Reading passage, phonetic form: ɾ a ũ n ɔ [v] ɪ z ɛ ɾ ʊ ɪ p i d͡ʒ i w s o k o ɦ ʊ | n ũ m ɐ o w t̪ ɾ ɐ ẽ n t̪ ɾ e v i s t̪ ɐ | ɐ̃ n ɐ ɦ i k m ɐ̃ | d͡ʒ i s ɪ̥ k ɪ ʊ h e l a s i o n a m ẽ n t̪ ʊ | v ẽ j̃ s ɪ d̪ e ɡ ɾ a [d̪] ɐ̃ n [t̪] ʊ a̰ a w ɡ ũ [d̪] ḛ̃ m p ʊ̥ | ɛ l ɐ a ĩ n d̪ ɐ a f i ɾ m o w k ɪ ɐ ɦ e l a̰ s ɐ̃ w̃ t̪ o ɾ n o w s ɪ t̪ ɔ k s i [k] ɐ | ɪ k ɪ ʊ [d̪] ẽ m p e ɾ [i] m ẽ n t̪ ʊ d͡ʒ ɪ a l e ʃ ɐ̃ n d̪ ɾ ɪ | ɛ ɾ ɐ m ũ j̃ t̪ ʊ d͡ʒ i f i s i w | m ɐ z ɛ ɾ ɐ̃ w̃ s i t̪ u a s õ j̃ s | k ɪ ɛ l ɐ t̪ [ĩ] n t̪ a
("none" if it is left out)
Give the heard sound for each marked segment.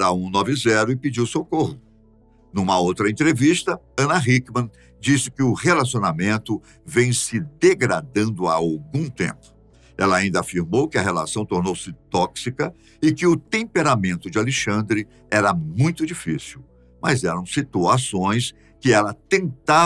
v, d̪, d̪, t̪, k, t̪, a, ẽ

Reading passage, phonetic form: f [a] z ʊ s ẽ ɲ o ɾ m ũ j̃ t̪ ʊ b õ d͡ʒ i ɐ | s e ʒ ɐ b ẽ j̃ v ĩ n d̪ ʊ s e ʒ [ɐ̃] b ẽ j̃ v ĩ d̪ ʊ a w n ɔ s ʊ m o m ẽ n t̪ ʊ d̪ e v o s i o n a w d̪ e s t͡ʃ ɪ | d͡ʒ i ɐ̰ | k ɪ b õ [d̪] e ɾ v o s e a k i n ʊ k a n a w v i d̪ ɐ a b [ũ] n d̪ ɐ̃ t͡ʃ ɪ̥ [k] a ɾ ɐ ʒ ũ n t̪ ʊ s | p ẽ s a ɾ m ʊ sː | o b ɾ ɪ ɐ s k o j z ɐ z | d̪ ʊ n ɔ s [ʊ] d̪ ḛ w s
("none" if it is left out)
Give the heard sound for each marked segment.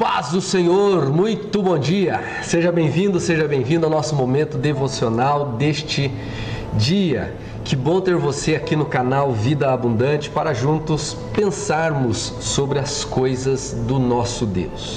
a, ɐ, t̪, ũ, p, ʊ

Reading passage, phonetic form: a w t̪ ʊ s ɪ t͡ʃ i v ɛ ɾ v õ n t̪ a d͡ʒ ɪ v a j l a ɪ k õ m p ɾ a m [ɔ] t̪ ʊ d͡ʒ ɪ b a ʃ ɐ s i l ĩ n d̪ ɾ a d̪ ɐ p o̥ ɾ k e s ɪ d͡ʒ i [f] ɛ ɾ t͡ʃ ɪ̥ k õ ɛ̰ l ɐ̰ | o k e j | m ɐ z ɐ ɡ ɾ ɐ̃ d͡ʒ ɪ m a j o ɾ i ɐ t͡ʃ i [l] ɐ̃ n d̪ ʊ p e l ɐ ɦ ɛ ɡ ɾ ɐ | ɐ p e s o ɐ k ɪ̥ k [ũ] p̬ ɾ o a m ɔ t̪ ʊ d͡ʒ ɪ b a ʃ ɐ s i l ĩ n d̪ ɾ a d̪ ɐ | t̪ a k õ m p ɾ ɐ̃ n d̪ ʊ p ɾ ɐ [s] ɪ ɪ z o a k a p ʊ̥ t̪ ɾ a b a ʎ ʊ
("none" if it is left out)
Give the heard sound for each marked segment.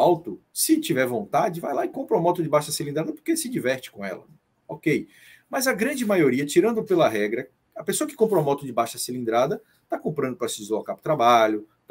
ɔ, v, ɾ, õ, s

